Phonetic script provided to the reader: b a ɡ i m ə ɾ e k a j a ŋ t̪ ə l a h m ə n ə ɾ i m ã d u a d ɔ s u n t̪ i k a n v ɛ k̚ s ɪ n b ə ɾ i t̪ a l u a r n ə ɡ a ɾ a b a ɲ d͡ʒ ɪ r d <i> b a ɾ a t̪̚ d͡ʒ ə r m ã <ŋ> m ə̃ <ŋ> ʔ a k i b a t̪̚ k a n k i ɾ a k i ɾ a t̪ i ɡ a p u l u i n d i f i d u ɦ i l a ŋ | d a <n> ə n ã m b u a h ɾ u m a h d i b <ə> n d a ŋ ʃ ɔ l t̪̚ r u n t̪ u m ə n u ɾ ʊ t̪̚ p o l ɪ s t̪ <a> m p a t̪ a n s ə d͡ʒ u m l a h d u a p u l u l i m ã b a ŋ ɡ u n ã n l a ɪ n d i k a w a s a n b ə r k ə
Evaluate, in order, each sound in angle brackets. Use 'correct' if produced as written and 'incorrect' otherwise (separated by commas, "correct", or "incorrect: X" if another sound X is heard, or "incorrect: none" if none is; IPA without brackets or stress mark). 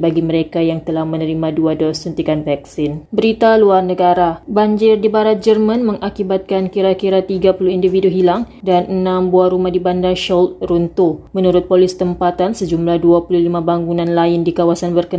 correct, incorrect: n, correct, correct, incorrect: a, incorrect: ə